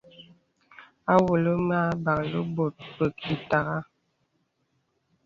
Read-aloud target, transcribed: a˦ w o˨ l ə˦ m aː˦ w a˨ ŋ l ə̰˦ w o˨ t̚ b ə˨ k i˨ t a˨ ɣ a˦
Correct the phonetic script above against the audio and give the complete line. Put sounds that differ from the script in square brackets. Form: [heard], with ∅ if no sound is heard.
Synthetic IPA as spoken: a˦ w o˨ l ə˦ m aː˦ [b] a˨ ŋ l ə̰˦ [b] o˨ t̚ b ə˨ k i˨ t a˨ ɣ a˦

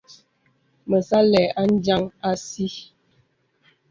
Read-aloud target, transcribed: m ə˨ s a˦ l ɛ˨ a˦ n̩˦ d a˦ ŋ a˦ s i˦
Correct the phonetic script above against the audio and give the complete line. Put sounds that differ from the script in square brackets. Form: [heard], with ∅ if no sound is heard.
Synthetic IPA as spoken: m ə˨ s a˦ l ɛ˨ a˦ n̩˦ [d͡ʒ] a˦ ŋ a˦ s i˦

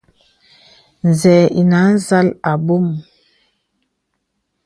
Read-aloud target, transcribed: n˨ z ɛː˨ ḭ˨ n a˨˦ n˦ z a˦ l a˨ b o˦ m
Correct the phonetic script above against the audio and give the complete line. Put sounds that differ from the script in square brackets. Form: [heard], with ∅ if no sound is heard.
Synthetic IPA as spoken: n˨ z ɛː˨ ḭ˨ n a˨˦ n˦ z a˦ l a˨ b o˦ m

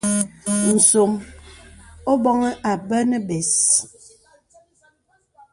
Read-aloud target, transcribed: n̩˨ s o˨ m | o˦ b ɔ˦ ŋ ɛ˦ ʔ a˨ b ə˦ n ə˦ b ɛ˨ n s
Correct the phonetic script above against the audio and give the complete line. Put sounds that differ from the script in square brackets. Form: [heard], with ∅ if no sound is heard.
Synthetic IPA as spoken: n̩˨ s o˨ m | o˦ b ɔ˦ ŋ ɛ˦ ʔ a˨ b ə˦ n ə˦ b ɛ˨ [∅] s

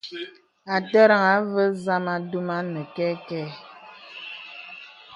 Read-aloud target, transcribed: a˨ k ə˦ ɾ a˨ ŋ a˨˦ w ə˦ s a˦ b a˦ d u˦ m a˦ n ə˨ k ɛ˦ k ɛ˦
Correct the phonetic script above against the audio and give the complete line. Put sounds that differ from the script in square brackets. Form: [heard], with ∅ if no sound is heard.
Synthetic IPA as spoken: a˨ [t] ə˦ ɾ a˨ ŋ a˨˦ [v] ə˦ [z] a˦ [m] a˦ d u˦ m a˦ n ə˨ k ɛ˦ k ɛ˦

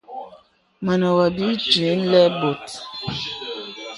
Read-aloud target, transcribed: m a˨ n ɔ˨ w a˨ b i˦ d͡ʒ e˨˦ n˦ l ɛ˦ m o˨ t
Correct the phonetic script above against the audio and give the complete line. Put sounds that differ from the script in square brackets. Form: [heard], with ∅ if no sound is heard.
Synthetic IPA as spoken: m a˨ n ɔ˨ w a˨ b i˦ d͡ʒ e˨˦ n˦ l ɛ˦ [b] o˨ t

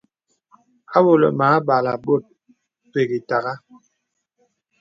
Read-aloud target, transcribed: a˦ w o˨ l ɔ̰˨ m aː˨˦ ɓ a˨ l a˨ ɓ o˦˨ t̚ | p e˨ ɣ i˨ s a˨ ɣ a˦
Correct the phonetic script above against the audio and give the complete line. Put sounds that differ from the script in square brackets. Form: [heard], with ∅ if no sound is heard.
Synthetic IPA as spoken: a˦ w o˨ l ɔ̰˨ m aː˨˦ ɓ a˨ l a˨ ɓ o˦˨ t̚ | p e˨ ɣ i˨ [t] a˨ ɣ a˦

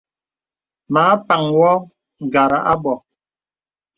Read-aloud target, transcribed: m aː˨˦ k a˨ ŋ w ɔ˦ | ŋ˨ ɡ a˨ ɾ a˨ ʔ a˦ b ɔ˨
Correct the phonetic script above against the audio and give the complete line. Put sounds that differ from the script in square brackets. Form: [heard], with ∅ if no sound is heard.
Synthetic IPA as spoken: m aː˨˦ [p] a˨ ŋ w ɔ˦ | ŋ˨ ɡ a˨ ɾ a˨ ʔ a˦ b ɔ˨

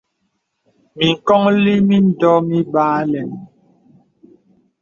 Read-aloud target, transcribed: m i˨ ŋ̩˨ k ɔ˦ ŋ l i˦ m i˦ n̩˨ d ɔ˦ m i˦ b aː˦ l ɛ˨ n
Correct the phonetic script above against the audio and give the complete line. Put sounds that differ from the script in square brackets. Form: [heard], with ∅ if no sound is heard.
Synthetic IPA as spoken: m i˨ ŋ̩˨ k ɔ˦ ŋ l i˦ m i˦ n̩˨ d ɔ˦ m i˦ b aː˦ l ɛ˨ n

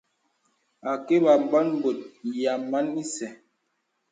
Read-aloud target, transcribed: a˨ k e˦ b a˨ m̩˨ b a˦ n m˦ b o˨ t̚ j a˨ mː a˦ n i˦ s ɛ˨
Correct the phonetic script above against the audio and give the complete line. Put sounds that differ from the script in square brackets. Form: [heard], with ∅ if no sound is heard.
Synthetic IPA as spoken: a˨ k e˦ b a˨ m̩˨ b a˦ n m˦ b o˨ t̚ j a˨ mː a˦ n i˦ s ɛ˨

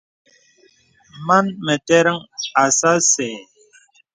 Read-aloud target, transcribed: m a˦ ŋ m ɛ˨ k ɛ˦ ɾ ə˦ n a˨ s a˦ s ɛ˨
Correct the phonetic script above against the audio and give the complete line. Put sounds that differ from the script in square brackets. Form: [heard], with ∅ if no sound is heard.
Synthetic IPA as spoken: m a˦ [n] m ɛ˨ [t] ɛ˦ ɾ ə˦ [ŋ] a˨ s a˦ s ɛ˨

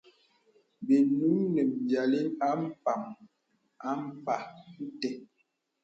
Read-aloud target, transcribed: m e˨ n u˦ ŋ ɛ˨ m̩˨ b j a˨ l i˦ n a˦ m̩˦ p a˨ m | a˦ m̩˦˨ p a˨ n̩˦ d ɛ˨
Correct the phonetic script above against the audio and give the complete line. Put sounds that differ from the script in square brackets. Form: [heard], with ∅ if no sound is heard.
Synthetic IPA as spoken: [b] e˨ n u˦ [n] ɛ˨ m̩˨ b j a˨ l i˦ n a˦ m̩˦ p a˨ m | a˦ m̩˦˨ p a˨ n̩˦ [t] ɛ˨

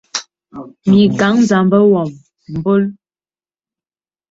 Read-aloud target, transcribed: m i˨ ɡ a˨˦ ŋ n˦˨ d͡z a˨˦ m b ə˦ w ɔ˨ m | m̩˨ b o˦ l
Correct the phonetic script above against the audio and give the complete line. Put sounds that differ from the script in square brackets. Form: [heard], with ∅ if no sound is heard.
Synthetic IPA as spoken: m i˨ ɡ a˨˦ ŋ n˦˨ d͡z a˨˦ m b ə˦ w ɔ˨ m | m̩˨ b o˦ l

